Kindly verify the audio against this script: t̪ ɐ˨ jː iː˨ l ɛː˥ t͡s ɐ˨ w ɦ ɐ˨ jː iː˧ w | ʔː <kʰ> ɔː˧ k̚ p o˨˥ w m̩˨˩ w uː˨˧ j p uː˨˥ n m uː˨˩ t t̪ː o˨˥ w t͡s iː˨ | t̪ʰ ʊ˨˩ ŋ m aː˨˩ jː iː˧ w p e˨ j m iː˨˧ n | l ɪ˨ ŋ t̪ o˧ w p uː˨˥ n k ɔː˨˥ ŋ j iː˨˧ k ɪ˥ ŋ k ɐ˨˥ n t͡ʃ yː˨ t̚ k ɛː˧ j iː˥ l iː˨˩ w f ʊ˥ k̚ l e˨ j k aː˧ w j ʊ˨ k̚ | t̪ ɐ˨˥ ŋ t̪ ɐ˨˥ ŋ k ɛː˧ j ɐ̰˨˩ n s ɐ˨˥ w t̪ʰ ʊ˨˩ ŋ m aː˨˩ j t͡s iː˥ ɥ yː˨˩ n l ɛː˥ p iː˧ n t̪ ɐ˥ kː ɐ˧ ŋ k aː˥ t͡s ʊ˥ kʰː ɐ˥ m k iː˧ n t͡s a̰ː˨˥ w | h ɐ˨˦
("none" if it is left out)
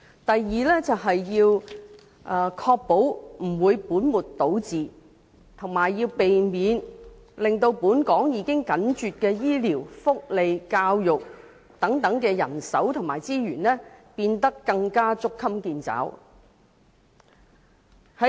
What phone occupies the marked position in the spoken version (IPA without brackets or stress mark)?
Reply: kʰ